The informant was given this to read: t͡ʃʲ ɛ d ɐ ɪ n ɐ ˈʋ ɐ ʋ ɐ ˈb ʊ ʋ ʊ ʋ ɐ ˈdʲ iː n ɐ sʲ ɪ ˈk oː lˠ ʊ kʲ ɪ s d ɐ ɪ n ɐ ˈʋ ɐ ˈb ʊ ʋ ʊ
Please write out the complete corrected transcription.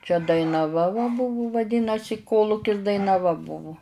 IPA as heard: t͡ʃʲ ɛ d ɐ ɪ n ɐ ˈʋ ɐ ʋ ɐ ˈb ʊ ʋ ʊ ʋ ɐ ˈdʲ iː n ɐ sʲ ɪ ˈk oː lˠ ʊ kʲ ɪ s d ɐ ɪ n ɐ ˈʋ ɐ ˈb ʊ ʋ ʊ